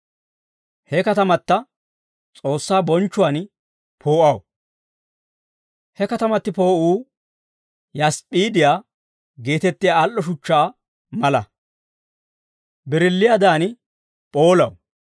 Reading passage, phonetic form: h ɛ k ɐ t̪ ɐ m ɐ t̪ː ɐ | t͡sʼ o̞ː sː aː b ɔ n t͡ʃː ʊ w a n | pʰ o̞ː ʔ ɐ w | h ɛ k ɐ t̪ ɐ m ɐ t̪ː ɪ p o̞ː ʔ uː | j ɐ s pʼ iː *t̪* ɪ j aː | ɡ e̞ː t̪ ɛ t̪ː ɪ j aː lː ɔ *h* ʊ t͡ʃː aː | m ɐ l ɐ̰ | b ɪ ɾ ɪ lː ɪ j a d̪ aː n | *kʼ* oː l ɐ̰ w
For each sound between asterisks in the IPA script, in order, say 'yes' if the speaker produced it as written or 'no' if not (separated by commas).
no, no, no